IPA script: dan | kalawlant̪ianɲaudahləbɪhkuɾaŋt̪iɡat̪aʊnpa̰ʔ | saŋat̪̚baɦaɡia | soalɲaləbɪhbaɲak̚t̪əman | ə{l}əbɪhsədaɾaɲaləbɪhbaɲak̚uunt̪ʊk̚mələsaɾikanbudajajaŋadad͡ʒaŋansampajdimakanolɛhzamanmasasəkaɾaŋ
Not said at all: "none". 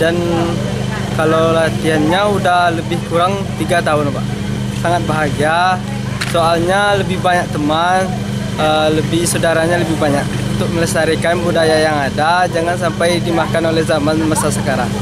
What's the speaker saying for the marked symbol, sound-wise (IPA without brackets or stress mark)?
l